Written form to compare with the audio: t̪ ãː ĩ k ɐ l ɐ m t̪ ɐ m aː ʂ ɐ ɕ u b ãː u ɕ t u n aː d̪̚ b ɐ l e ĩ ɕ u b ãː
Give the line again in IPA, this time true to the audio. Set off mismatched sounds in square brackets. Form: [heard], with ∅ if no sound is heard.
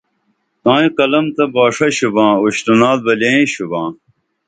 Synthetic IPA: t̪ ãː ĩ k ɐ l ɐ m t̪ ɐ [b] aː ʂ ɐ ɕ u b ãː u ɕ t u n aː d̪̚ b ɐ l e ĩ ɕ u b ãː